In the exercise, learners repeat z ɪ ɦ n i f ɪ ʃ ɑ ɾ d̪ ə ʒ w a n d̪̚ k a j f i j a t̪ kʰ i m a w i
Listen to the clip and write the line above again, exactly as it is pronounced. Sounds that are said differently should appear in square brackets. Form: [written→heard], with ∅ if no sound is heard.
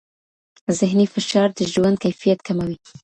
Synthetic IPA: z ɪ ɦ n i f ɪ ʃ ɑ ɾ d̪ ə ʒ w a n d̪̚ k a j f i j a t̪ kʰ [i→a] m a w i